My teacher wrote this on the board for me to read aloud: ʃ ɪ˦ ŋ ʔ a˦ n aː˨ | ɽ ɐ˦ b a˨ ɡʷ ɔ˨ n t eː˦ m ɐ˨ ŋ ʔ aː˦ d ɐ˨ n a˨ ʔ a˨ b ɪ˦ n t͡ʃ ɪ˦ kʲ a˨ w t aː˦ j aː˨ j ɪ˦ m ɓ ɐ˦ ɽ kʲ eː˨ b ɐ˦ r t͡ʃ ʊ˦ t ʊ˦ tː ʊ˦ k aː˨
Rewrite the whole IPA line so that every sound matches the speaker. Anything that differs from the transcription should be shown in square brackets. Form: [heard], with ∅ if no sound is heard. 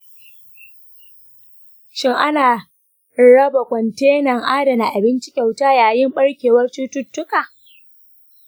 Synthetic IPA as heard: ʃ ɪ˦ ŋ ʔ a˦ n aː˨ | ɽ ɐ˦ b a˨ [kʷ] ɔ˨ n t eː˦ [n] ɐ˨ ŋ ʔ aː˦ d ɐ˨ n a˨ ʔ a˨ b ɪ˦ n t͡ʃ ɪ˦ kʲ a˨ w t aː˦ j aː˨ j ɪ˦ m ɓ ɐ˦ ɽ kʲ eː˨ [w] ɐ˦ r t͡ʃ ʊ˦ t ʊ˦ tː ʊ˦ k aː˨